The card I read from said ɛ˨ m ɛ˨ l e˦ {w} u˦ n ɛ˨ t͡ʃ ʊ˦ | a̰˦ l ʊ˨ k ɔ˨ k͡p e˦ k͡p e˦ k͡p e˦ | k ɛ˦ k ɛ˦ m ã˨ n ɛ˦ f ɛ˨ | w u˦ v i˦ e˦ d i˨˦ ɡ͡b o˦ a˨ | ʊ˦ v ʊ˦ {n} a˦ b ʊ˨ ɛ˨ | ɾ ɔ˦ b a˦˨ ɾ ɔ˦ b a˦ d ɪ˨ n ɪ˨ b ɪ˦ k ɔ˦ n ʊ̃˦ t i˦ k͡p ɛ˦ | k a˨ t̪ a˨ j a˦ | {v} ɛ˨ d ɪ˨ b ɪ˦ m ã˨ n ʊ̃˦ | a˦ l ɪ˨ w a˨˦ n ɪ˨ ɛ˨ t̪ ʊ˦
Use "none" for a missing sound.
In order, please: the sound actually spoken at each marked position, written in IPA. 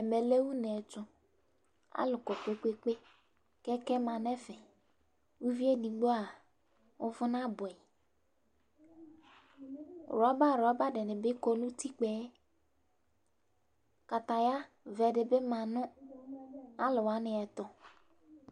w, n, v

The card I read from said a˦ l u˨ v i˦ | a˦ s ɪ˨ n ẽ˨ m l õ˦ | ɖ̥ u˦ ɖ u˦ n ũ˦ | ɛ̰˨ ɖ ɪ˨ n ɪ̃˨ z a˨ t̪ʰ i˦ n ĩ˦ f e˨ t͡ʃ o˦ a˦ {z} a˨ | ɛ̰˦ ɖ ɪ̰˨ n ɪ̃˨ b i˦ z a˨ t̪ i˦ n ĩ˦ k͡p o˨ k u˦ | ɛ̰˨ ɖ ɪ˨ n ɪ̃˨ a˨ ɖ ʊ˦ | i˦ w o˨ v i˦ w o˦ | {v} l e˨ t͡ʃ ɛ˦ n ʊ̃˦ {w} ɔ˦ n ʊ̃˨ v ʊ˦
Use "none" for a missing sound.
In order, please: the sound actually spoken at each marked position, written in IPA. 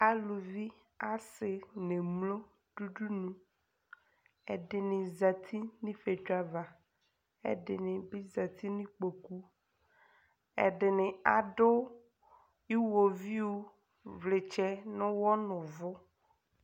v, v, w

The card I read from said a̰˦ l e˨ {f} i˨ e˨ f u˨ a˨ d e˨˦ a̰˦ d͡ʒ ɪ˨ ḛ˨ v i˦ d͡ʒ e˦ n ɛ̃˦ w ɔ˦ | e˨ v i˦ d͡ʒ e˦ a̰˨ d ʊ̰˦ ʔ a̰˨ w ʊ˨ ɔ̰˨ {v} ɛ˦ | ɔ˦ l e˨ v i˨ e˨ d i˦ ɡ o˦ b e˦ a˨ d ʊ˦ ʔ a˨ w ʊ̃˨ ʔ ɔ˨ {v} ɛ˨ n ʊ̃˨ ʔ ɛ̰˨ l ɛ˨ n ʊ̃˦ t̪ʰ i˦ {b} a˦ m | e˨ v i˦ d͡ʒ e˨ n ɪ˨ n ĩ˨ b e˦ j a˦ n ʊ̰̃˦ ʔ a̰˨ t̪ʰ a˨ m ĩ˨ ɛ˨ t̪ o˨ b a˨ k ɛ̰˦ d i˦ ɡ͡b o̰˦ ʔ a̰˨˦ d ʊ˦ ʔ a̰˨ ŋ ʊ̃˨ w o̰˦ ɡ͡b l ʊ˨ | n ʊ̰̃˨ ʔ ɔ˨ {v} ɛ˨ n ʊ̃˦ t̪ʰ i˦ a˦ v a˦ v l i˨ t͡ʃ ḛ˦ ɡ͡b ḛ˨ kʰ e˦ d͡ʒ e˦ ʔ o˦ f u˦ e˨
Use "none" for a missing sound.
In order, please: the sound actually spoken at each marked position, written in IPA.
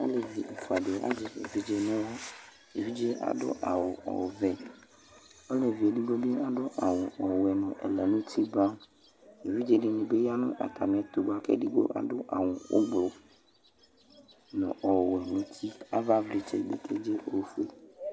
v, v, w, b, w

